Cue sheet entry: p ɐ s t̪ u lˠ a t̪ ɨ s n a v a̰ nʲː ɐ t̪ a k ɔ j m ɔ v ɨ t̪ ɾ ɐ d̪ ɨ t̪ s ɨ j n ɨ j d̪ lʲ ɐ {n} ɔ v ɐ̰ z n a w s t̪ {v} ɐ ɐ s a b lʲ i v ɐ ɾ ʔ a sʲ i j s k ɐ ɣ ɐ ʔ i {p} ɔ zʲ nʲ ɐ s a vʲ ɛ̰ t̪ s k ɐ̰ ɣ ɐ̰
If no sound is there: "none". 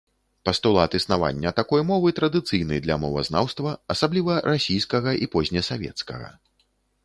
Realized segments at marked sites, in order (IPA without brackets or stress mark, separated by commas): m, v, p